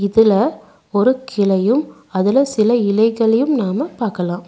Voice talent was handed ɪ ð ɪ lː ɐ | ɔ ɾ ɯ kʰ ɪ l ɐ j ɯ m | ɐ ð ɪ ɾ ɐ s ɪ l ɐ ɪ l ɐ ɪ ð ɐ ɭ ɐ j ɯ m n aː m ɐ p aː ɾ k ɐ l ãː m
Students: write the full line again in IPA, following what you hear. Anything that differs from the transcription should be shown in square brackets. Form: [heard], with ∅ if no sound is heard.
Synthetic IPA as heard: ɪ ð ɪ [l] ɐ | ɔ ɾ ɯ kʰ ɪ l ɐ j ɯ m | ɐ ð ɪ [l] ɐ s ɪ l ɐ ɪ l ɐ ɪ [ɣ] ɐ ɭ ɐ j ɯ m n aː m ɐ p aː ɾ k ɐ l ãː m